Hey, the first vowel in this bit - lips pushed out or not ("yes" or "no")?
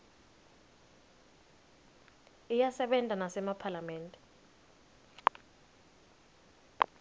no